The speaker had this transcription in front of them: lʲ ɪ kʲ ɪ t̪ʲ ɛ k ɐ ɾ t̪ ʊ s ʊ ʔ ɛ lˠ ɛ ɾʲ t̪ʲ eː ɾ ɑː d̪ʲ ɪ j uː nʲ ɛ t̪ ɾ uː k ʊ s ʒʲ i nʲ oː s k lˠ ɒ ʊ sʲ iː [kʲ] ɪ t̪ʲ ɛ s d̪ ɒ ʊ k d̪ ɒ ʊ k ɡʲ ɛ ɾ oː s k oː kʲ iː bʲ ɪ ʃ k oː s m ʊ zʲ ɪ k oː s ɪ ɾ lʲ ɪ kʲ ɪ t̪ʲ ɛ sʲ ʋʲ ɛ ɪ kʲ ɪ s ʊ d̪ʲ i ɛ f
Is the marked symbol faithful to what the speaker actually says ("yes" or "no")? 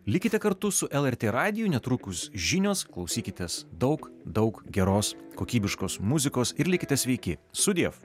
yes